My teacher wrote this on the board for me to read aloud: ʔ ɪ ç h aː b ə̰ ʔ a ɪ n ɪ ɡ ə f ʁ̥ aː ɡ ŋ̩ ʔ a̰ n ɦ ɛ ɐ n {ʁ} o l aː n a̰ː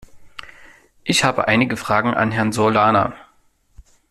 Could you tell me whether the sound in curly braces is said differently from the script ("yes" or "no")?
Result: yes